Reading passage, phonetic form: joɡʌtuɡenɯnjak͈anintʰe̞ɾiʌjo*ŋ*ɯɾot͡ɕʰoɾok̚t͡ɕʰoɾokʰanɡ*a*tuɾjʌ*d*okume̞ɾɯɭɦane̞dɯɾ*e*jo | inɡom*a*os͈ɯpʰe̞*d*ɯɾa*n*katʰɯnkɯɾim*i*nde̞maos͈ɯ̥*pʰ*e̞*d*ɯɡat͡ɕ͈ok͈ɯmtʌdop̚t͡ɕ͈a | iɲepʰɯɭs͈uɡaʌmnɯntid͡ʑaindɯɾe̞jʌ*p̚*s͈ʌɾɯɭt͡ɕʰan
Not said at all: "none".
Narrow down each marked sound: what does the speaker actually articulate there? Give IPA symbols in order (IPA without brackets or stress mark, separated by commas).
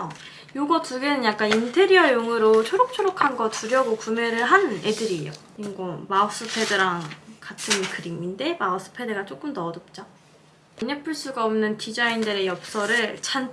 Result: ŋ, ʌ, ɡ, i, a, d, ŋ, i, pʰ, d, p̚